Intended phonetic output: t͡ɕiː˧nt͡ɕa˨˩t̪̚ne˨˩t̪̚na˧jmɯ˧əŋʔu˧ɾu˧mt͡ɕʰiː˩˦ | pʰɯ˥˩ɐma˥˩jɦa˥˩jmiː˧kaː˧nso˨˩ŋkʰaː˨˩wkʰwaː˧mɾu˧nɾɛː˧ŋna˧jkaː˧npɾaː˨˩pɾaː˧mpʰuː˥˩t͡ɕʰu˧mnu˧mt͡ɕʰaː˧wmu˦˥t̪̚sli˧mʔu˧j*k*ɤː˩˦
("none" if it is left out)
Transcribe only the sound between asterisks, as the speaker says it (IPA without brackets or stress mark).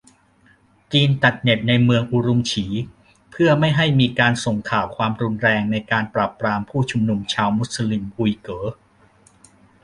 k